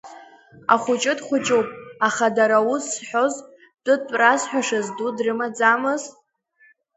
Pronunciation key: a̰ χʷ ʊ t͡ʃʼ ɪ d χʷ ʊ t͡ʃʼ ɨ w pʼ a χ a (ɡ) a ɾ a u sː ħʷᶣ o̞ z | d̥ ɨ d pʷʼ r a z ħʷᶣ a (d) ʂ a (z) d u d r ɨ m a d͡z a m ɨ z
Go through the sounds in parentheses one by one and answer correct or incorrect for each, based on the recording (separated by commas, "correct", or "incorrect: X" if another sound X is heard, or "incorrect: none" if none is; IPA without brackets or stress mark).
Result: incorrect: d, incorrect: none, correct